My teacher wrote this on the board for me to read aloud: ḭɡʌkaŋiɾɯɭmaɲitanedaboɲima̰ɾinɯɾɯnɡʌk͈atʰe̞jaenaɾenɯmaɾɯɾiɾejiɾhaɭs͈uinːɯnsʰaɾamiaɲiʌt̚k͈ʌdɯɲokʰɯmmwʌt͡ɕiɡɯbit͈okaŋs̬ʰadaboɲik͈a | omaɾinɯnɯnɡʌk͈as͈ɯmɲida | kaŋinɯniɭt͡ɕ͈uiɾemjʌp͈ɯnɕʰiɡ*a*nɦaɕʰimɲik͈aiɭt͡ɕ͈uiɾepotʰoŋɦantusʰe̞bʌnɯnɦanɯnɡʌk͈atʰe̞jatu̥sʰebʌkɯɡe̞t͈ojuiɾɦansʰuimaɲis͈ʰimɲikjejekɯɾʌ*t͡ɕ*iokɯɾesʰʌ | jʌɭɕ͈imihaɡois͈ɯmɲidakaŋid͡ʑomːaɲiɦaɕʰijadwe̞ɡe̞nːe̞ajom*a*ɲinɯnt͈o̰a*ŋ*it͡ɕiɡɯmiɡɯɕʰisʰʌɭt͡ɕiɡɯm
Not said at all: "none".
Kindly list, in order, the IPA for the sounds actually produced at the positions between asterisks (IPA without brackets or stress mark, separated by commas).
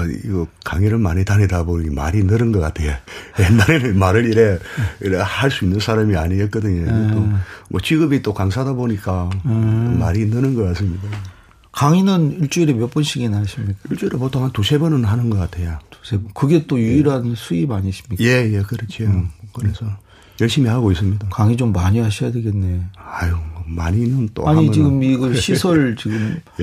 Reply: i, t͡ɕʰ, a, ɲ